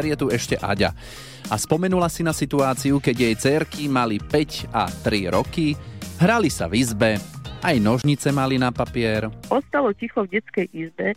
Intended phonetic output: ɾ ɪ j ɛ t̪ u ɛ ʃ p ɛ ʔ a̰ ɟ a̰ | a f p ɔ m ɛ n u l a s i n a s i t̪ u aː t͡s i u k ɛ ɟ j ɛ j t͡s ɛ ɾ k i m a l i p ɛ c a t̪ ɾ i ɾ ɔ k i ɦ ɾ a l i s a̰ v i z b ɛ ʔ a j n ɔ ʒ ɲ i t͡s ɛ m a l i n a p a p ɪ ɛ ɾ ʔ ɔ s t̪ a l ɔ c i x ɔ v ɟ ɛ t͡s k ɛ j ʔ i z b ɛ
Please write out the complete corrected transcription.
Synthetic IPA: ɾ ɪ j ɛ t̪ u ɛ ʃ c ɛ ʔ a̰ ɟ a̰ | a s p ɔ m ɛ n u l a s i n a s i t̪ u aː t͡s i u k ɛ ɟ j ɛ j t͡s ɛ ɾ k i m a l i p ɛ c a t̪ ɾ i ɾ ɔ k i ɦ ɾ a l i s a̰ v i z b ɛ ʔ a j n ɔ ʒ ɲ i t͡s ɛ m a l i n a p a p ɪ ɛ ɾ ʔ ɔ s t̪ a l ɔ c i x ɔ v ɟ ɛ t͡s k ɛ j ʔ i z b ɛ